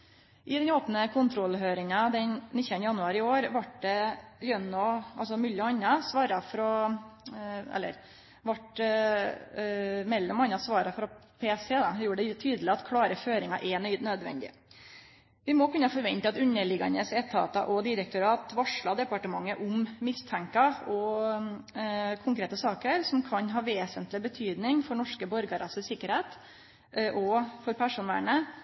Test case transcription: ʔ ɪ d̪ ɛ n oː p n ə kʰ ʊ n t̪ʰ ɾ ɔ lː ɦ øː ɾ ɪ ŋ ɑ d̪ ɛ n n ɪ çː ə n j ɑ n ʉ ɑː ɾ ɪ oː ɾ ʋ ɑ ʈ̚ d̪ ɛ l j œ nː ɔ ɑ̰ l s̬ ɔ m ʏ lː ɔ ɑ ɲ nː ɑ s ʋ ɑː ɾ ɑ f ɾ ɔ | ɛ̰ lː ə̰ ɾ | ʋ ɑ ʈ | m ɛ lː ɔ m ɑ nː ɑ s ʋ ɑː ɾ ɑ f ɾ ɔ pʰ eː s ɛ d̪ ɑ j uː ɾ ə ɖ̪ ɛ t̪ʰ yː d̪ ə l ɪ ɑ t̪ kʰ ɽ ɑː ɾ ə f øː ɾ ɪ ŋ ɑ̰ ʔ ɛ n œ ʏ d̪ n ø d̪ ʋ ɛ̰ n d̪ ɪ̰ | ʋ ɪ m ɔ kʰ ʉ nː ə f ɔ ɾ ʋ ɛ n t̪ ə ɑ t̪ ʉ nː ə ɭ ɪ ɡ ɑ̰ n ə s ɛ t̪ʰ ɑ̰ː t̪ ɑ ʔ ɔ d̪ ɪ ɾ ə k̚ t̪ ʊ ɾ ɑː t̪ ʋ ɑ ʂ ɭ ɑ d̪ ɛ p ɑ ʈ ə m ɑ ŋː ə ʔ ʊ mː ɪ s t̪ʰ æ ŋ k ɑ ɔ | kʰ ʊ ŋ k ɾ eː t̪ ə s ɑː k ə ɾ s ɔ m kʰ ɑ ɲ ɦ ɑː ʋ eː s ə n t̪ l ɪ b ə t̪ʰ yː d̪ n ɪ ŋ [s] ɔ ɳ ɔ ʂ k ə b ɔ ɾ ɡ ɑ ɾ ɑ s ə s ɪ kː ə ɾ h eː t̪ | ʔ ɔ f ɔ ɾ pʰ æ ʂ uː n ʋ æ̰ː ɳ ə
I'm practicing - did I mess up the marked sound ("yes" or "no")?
yes